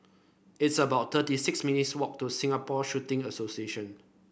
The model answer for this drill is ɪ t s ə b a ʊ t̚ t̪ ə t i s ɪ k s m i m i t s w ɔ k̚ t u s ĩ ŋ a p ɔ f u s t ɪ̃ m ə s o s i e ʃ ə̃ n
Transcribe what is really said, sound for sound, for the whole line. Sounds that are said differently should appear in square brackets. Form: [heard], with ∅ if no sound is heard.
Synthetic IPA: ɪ t s ə b a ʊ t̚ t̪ ə t i s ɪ k s m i [n] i t s w ɔ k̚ t u s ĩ ŋ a p ɔ [ʃ] u [∅] t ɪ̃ [ŋ] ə s o s i e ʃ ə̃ n